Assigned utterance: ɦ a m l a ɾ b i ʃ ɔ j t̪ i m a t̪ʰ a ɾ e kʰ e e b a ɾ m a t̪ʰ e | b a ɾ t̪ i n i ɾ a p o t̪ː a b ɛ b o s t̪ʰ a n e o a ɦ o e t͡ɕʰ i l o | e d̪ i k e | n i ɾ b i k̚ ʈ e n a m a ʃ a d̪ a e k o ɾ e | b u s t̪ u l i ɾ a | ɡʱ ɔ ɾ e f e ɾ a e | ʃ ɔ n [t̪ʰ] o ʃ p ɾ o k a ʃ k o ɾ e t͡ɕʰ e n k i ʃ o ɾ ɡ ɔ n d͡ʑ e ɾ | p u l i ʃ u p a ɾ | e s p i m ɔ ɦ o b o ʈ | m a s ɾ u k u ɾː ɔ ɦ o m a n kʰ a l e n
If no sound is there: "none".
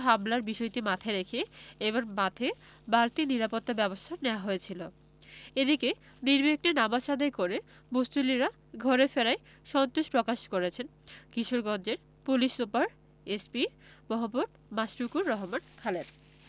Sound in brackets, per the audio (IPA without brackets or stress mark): t̪